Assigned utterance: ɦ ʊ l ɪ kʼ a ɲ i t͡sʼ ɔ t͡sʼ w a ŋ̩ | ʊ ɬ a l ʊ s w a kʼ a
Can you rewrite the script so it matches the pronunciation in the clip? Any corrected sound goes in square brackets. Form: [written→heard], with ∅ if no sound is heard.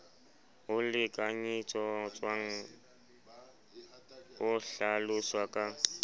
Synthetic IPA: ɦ ʊ l ɪ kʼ a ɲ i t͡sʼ ɔ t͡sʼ w a ŋ̩ | ʊ ɬ a l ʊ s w a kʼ a